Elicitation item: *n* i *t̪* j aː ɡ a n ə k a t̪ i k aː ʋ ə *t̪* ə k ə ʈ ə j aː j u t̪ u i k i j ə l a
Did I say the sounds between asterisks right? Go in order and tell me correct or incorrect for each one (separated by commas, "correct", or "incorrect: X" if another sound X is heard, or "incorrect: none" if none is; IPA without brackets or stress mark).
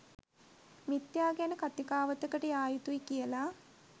incorrect: m, correct, correct